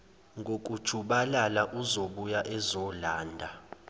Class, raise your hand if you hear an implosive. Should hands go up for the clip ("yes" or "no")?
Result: yes